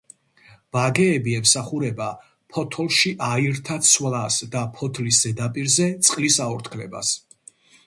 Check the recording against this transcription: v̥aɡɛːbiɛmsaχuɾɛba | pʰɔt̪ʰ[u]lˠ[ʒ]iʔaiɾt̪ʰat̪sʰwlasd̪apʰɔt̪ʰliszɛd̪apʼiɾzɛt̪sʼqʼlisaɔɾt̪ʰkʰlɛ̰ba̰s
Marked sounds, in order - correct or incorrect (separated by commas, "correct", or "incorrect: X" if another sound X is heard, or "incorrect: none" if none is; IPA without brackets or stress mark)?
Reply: incorrect: ɔ, incorrect: ʃ